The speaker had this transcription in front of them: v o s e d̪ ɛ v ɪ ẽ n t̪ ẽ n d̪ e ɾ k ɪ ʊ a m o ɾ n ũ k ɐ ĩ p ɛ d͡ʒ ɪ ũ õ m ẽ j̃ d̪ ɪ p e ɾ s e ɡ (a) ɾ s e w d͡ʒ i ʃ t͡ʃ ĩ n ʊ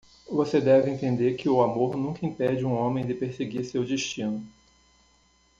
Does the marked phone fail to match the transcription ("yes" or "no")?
yes